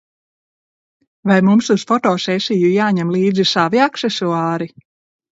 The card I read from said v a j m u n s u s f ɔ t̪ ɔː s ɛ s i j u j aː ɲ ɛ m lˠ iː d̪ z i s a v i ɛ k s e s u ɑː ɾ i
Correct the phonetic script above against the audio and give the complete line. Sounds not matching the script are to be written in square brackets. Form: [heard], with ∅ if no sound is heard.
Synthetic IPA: v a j m u [m] s u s f ɔ t̪ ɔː s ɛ s i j u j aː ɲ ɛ m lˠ iː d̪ z i s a v i [a] k s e s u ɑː ɾ i